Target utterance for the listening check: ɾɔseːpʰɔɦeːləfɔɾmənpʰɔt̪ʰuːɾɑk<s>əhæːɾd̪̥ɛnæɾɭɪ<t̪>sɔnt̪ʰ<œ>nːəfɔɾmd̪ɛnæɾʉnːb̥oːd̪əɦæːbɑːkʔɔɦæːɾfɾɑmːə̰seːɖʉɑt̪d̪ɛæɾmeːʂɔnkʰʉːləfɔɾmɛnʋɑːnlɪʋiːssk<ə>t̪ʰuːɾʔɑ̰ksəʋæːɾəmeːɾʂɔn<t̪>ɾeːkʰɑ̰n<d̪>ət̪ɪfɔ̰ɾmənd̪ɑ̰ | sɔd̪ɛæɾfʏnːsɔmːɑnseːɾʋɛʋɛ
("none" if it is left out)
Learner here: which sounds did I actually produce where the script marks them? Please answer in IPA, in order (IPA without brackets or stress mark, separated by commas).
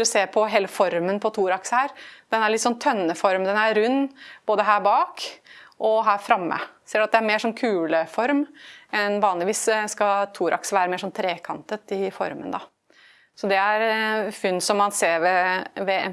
s, t̪, œ, ɑ, t̪ʰ, t̪